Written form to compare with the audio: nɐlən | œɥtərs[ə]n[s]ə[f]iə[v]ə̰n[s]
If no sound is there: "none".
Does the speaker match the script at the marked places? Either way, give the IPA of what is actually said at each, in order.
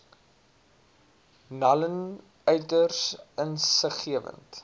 ə, s, χ, v, t

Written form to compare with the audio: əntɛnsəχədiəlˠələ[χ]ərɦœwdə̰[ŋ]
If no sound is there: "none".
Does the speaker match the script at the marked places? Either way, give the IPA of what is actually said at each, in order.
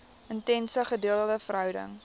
f, ŋ

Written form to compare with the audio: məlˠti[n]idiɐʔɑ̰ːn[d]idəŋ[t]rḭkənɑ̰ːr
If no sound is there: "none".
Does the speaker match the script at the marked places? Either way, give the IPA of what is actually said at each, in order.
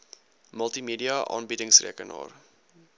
m, b, s

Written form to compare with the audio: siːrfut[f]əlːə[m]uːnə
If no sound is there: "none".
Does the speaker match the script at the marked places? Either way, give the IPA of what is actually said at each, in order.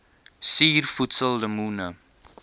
s, m

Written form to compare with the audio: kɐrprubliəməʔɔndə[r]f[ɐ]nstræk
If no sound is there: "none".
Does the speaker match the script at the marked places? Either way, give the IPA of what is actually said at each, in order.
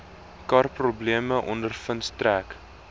r, ə

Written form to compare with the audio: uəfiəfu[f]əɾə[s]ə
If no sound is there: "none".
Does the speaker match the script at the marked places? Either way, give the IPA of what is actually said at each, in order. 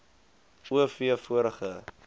none, χ

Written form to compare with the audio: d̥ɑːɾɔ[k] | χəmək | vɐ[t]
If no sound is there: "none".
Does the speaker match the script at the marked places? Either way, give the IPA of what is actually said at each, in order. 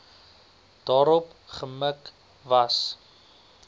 p, s

